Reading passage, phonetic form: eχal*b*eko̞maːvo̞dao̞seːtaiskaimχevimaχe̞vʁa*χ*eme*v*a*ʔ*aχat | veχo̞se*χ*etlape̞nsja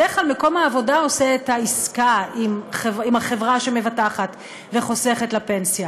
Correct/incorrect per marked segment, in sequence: incorrect, incorrect, correct, incorrect, correct

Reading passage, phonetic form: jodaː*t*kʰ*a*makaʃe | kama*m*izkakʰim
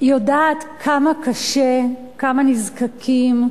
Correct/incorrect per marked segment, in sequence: correct, correct, incorrect

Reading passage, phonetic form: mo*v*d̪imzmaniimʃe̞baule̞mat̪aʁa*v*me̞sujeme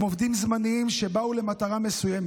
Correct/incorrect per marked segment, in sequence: correct, incorrect

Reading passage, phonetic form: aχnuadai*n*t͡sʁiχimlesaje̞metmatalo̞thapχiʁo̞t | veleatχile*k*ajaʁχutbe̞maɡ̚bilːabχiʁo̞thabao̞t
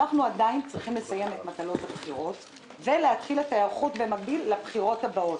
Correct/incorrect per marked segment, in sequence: correct, incorrect

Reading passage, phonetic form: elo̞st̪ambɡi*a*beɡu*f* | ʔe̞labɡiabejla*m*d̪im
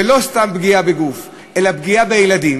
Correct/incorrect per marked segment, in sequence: correct, correct, incorrect

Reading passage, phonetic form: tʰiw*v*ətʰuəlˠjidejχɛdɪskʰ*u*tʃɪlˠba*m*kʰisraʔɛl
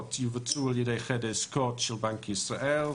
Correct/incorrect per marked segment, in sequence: correct, incorrect, incorrect

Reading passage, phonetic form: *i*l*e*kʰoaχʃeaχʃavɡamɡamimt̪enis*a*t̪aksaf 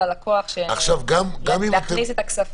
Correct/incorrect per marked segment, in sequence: incorrect, incorrect, incorrect

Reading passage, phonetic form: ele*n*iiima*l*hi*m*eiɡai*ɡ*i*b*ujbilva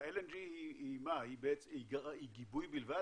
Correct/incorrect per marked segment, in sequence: correct, incorrect, incorrect, correct, correct

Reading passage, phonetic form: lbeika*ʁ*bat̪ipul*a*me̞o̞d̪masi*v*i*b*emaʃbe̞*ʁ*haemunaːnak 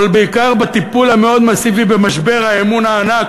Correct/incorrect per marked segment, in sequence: correct, correct, correct, correct, correct

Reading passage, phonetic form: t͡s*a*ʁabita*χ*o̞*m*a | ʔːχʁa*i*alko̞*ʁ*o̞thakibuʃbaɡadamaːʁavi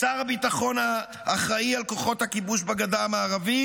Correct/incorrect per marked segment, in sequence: correct, correct, incorrect, correct, incorrect

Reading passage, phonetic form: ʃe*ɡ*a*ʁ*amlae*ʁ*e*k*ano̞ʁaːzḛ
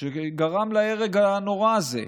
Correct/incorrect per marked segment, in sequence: correct, correct, correct, incorrect

